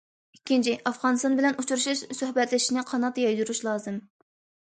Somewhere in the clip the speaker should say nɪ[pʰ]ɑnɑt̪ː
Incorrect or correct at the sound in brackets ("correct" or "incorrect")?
incorrect